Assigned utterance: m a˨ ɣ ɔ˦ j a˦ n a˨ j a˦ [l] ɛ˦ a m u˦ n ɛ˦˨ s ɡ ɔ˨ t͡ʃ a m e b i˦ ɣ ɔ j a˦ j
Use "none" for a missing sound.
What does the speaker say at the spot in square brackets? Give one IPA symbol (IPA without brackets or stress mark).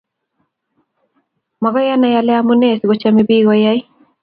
l